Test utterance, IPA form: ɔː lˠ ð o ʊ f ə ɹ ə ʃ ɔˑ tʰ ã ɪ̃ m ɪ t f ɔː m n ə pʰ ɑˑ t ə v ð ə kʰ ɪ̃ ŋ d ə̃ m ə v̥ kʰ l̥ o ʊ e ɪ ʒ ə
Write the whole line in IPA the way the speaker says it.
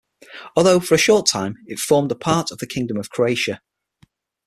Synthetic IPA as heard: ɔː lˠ ð o ʊ f ə ɹ ə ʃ ɔˑ tʰ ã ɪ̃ m ɪ t f ɔː m d ə pʰ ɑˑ t ə v ð ə kʰ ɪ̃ ŋ d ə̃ m ə v̥ kʰ ɹ̥ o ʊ e ɪ ʃ ə